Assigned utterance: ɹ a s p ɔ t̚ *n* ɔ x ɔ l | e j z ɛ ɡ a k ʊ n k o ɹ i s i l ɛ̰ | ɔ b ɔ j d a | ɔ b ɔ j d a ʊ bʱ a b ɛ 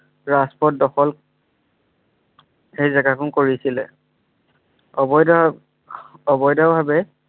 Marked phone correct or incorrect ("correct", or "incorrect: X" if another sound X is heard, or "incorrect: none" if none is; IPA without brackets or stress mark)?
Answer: incorrect: d